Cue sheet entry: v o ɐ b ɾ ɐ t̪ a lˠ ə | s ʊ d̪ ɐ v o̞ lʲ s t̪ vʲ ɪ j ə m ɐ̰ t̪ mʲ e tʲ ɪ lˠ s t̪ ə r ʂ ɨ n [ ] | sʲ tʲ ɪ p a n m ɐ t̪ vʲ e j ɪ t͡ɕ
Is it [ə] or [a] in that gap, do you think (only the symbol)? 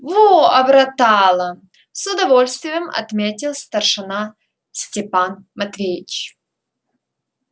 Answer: a